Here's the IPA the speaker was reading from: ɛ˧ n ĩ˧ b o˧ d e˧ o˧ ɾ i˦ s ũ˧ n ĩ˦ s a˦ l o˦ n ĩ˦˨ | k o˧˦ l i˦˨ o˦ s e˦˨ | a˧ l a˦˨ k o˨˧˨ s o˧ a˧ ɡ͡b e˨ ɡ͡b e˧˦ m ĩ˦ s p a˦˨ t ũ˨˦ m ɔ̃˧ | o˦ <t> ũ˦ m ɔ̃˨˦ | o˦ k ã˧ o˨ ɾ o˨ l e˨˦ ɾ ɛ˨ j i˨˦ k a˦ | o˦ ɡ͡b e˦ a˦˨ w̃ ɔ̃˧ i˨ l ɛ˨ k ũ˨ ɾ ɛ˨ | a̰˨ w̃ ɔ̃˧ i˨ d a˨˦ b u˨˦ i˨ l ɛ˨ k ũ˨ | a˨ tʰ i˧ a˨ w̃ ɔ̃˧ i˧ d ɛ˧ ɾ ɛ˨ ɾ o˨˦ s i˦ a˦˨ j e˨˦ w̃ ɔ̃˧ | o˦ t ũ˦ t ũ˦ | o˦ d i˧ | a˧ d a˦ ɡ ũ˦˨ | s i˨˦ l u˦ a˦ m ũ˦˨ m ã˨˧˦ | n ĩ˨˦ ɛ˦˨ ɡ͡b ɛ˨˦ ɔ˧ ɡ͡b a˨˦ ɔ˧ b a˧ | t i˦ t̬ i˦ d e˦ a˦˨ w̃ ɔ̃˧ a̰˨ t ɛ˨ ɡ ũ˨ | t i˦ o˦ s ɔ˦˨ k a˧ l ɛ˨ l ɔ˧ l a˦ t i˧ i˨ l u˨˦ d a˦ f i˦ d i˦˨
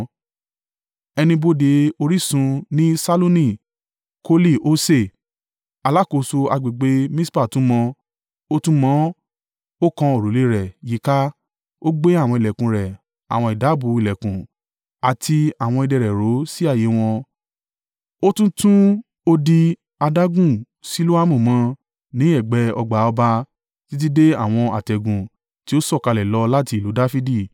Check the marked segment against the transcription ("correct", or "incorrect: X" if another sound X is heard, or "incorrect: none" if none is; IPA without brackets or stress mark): correct